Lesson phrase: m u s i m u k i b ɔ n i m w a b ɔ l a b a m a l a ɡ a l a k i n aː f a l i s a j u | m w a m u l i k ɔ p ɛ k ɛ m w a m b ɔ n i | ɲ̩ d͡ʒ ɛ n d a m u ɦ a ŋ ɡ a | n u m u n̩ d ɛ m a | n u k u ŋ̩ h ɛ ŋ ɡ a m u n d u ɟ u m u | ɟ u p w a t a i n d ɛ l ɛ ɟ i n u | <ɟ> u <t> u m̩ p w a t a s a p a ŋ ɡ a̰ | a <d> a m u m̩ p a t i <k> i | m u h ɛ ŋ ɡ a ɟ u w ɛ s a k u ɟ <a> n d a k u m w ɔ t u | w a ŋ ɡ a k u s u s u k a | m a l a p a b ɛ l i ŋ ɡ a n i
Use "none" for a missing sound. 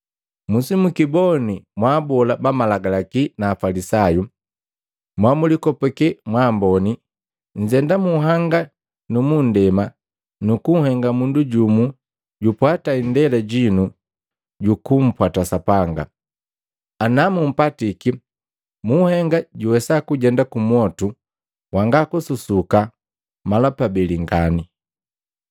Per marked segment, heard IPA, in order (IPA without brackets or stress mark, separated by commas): ɟ, k, n, k, ɛ